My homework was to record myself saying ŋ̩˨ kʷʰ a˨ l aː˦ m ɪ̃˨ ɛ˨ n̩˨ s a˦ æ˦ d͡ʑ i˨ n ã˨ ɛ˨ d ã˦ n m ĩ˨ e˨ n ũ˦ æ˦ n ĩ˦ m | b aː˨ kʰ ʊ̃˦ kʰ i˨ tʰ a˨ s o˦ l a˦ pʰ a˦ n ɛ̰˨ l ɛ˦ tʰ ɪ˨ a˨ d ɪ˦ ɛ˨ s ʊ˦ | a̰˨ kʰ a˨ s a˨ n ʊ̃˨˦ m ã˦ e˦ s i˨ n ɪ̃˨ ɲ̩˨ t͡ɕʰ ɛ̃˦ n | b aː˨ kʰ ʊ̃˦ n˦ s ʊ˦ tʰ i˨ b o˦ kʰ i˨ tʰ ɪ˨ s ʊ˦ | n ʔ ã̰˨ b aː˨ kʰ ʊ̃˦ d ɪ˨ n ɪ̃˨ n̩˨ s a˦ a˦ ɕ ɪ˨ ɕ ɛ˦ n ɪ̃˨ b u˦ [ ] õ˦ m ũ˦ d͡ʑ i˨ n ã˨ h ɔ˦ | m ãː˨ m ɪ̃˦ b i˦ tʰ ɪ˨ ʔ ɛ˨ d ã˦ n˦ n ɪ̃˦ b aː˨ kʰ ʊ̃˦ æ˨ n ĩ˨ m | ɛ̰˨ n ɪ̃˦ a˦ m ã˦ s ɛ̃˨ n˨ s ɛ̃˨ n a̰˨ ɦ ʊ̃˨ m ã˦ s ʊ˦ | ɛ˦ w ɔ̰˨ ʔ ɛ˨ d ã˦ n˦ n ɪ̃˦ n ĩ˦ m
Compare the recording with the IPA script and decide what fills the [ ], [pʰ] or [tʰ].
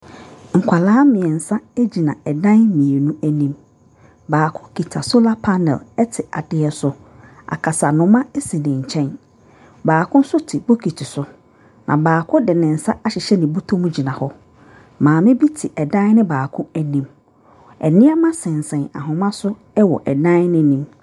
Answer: tʰ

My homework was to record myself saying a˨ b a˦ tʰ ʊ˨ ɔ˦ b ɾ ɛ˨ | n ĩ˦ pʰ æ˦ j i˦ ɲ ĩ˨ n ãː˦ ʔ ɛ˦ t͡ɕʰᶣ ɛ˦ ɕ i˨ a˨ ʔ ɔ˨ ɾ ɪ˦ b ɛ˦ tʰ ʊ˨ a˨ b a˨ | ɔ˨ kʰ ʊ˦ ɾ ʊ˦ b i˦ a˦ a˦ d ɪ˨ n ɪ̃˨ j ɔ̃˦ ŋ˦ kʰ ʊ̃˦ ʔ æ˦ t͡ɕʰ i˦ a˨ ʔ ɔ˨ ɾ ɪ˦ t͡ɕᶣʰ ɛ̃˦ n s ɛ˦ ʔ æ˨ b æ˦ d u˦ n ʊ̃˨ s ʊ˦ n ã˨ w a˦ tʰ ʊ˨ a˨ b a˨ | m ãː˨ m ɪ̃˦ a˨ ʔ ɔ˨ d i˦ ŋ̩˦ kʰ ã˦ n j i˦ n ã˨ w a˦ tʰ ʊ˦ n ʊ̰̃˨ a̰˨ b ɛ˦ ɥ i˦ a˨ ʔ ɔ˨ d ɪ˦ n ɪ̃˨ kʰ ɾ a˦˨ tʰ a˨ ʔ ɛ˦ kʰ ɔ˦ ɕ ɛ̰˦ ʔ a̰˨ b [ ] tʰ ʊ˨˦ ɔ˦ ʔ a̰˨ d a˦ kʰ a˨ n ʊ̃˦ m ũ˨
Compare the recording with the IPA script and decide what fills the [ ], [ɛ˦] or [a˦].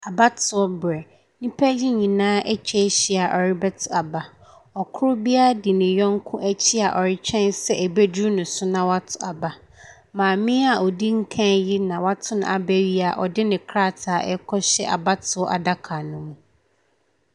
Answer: a˦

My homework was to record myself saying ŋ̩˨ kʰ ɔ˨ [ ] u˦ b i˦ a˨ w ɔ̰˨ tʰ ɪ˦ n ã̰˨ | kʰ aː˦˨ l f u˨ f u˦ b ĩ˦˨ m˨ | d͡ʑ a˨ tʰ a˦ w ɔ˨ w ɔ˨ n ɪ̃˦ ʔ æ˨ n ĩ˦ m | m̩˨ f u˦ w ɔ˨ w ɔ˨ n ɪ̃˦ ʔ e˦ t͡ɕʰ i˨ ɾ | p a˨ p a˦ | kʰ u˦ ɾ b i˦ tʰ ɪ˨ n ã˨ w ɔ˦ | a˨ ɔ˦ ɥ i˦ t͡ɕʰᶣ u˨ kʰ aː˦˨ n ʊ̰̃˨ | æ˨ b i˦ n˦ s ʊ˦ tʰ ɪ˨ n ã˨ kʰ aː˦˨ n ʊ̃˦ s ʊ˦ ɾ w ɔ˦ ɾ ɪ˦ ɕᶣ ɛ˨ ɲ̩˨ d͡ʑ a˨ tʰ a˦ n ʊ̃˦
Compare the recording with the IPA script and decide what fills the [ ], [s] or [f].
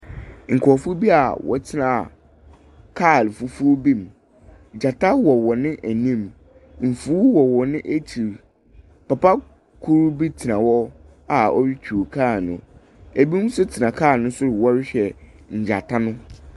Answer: f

